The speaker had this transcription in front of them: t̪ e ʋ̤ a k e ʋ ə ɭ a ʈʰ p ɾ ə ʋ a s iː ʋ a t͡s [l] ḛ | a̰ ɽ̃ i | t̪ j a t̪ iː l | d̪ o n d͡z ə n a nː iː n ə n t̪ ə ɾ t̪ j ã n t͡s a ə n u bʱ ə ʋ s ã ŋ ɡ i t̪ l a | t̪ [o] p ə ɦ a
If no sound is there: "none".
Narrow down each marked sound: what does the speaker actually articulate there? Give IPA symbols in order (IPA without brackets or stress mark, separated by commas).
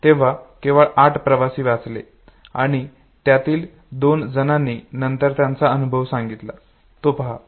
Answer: l, o